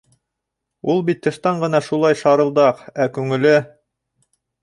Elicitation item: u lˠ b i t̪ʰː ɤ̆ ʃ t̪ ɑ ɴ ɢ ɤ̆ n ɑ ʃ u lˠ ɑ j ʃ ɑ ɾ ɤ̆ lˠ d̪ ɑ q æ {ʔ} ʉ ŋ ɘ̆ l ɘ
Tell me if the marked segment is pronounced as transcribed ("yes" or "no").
no